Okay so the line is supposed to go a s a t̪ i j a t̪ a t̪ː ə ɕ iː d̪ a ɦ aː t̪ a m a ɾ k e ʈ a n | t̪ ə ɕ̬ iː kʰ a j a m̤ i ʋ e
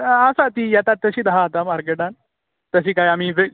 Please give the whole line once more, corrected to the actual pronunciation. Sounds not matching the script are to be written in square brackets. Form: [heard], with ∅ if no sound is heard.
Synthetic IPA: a s a t̪ i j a t̪ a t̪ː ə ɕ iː d̪ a ɦ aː t̪ a m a ɾ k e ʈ a n | t̪ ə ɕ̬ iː [k] a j a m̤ i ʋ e

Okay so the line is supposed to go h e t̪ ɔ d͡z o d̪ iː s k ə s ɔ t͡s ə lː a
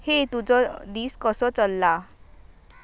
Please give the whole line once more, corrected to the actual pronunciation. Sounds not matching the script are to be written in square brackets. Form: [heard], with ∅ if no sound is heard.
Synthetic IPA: h e t̪ [u] d͡z [ɔ] d̪ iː s k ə s ɔ t͡s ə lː a

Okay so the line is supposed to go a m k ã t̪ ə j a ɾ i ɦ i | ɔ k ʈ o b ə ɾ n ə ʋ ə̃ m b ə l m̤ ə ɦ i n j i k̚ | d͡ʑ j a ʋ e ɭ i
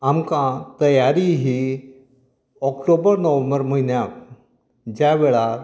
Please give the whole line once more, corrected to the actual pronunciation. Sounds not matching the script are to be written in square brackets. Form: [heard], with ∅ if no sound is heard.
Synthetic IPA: a m k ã t̪ ə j a ɾ i ɦ i | ɔ k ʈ o b ə ɾ n ə ʋ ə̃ m b ə [ɾ] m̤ ə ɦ i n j [a] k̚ | d͡ʑ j a ʋ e ɭ [a]

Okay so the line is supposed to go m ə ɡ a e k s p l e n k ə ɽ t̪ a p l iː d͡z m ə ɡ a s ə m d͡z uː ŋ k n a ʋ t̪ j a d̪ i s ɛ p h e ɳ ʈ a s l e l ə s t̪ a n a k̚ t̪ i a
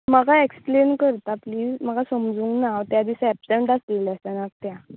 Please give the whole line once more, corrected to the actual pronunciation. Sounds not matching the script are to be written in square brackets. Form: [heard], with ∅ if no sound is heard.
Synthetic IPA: m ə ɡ a e k s p l e n k ə [ɾ] t̪ a p l iː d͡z m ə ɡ a s ə m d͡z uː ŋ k n a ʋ t̪ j a d̪ i s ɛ p [s] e ɳ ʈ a s l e l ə s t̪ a n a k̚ t̪ [j] a

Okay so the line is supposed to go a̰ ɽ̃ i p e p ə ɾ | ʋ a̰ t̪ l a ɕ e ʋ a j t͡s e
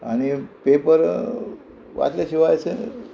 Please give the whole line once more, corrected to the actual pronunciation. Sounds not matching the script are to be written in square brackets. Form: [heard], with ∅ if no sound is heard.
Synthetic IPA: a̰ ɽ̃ i p e p ə ɾ | ʋ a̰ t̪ l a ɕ [i] ʋ a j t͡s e

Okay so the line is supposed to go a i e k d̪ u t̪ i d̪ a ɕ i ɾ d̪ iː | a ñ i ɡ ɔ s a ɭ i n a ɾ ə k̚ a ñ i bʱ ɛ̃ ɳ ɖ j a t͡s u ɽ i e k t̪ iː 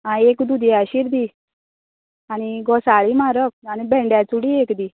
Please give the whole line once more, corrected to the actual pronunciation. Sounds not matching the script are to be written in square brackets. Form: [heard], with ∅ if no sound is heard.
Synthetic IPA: a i e k d̪ u [d̪] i [∅] a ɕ i ɾ d̪ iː | a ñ i ɡ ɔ s a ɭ i [m] a ɾ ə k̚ a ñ i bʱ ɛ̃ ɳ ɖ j a t͡s u ɽ i e k [d̪] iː

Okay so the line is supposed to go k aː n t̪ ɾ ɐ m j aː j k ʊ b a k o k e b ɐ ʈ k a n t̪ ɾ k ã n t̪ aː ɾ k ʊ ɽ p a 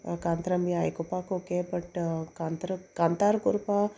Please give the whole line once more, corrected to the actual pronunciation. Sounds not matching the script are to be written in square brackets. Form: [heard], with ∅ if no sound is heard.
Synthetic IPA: k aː n t̪ ɾ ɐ m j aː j k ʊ [p] a k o k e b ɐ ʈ k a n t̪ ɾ k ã n t̪ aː ɾ k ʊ [ɾ] p a

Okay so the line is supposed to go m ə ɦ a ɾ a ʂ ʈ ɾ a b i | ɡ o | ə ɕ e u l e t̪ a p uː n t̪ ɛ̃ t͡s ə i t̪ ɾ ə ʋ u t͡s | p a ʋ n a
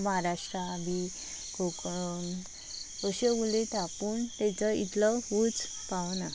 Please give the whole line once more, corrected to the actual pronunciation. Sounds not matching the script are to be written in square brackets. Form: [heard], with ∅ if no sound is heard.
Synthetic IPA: m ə ɦ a ɾ a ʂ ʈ ɾ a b i | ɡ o | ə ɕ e u l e t̪ a p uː n t̪ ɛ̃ t͡s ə i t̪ [l] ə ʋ u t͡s | p a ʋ n a

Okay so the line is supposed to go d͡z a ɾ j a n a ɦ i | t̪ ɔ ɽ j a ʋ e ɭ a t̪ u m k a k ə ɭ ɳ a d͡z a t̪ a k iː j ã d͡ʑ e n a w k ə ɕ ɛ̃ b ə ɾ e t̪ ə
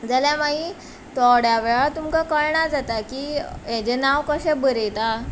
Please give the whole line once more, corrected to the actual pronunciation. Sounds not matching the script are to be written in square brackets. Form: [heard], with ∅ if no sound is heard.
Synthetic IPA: d͡z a [l] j a [m] a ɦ i | t̪ ɔ ɽ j a ʋ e ɭ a t̪ u m k a k ə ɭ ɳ a d͡z a t̪ a k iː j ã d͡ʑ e n a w k ə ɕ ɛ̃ b ə ɾ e t̪ [a]

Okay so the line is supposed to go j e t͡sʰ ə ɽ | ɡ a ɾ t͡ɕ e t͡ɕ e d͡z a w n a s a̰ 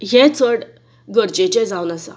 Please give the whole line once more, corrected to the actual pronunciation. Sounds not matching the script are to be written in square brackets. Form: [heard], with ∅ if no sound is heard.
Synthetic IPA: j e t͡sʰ ə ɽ | ɡ [ə] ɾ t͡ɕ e t͡ɕ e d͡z a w n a s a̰

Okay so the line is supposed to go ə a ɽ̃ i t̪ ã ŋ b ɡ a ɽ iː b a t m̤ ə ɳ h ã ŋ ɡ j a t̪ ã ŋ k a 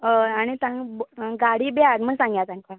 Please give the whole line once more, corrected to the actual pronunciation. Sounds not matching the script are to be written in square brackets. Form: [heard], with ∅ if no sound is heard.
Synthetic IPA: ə a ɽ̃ i t̪ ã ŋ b ɡ a ɽ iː b a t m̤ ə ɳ [s] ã ŋ ɡ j a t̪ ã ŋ k a

